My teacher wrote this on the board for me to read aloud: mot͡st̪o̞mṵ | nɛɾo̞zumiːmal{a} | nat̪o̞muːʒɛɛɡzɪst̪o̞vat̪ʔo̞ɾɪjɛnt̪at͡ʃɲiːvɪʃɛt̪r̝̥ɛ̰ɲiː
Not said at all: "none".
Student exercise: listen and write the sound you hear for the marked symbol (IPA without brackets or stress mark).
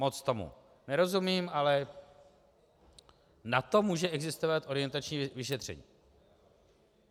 ɛ